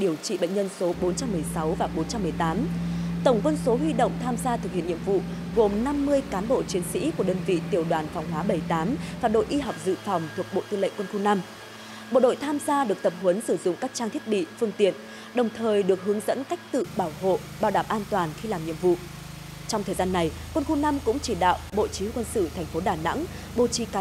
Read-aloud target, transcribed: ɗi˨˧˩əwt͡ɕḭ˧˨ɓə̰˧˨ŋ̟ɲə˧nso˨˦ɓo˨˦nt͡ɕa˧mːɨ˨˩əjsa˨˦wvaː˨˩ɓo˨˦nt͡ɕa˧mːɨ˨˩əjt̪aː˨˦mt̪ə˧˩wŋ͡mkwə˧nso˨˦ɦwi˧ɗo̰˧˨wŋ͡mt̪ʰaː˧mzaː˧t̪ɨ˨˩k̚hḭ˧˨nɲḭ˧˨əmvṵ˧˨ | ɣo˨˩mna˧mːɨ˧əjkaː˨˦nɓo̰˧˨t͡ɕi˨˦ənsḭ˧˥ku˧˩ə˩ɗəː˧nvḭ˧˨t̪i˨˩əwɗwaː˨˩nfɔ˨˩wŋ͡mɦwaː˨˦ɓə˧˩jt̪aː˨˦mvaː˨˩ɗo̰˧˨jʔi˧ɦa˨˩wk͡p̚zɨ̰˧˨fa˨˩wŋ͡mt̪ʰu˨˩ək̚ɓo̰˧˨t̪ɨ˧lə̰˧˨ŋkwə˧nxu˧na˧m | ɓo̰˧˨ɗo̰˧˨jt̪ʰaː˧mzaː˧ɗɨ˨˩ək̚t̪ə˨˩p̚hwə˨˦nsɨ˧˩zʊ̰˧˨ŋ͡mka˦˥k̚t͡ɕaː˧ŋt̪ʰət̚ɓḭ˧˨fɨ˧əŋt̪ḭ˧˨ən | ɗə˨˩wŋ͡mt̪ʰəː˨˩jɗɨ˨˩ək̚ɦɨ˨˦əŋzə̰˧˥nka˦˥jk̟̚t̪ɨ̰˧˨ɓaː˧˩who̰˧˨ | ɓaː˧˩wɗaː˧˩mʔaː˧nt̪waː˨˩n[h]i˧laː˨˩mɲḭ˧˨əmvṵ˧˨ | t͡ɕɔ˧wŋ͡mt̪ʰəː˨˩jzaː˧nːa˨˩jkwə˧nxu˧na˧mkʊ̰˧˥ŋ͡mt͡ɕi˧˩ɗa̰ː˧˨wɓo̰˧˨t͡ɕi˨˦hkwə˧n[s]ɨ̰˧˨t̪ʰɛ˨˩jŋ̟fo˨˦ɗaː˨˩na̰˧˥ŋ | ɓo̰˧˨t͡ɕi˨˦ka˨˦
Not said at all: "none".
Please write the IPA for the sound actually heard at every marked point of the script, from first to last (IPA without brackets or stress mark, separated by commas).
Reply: x, s